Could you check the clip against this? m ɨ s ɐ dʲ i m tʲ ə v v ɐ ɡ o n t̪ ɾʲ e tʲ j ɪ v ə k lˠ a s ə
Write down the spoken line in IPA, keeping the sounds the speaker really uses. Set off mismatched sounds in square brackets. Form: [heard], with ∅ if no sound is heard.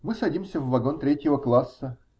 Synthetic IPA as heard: m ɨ s ɐ dʲ i m [sʲ] ə v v ɐ ɡ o n t̪ ɾʲ e tʲ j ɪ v ə k lˠ a [sː] ə